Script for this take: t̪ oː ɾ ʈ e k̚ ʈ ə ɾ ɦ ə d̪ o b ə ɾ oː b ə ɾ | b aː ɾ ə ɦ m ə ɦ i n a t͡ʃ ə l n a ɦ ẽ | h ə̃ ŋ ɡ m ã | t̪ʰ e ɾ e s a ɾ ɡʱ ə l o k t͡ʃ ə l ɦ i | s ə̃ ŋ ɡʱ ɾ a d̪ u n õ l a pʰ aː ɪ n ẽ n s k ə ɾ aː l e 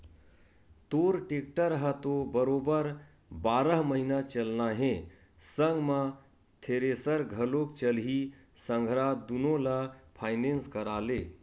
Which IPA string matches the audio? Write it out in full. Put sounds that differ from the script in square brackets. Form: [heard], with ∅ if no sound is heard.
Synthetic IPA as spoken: t̪ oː ɾ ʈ e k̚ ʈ ə ɾ ɦ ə [t̪] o b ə ɾ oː b ə ɾ | b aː ɾ ə ɦ m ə ɦ i n a t͡ʃ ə l n a ɦ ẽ | [s] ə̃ ŋ ɡ m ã | t̪ʰ e ɾ e s [ə] ɾ ɡʱ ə l o k t͡ʃ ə l ɦ i | s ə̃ ŋ ɡʱ ɾ a d̪ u n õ l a pʰ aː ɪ n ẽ n s k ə ɾ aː l e